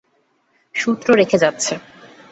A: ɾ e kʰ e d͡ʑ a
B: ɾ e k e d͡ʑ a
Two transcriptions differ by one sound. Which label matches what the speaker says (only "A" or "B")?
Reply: A